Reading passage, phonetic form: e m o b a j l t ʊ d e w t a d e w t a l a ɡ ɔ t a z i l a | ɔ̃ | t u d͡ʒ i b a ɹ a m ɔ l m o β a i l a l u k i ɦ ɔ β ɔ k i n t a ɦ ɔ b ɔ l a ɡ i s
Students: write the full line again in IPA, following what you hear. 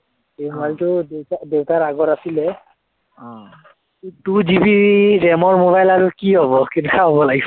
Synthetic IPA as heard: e m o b a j l t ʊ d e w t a d e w t a ɹ a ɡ ɔ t a s i l ɛ | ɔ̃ | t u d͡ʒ i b i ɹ ɛ m ɔ ɹ m o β a j l a ɹ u k i ɦ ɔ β ɔ k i n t a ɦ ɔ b ɔ l a ɡ i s